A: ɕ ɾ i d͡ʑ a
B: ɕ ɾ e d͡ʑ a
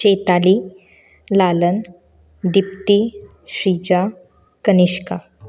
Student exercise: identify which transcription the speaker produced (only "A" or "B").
A